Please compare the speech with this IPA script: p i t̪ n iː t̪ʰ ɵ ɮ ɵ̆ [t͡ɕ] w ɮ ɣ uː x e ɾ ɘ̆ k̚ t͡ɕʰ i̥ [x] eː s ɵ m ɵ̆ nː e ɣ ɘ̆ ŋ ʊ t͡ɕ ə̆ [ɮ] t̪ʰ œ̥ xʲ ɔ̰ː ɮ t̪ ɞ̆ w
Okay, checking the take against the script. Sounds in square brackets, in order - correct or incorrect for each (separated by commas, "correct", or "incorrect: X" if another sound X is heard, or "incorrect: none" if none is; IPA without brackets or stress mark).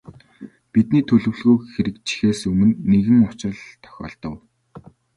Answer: incorrect: none, correct, correct